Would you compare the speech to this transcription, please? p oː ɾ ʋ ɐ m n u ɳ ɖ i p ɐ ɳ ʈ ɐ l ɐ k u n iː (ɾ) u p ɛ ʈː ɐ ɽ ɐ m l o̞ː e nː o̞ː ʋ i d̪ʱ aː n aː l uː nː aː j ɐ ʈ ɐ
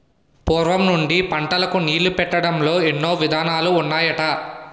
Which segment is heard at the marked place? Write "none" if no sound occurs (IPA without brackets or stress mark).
l